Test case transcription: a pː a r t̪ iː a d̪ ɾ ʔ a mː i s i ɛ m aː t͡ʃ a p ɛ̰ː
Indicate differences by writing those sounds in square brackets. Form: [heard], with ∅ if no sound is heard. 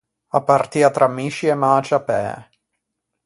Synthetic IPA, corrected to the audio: a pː a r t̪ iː a [t̪] ɾ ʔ a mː i [ʃ] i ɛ m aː t͡ʃ a p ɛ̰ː